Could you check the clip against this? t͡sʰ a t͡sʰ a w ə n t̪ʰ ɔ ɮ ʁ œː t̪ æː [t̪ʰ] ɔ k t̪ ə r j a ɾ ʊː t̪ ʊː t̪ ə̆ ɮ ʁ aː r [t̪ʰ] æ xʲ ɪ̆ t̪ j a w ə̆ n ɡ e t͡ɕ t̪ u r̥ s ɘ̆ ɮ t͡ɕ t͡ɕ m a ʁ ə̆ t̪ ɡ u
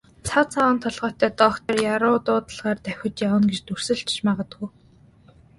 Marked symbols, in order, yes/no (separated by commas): no, no